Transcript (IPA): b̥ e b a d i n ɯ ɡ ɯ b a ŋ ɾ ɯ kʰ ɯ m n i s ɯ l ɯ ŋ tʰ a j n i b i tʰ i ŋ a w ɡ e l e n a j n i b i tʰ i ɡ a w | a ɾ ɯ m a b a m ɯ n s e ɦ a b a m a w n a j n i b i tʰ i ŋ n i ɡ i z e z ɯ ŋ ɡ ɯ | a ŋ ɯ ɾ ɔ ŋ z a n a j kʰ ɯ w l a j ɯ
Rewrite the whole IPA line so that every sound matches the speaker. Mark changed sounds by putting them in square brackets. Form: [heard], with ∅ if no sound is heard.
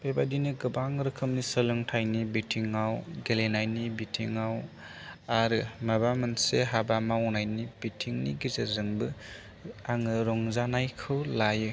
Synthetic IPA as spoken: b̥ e b a d i n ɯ ɡ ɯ b a ŋ ɾ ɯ kʰ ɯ m n i s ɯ l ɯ ŋ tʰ a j n i b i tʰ i ŋ a w ɡ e l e n a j n i b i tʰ i [ŋ] a w | a ɾ ɯ m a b a m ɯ n s e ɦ a b a m a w n a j n i b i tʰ i ŋ n i ɡ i z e z ɯ ŋ [b] ɯ | a ŋ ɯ ɾ ɔ ŋ z a n a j kʰ ɯ w l a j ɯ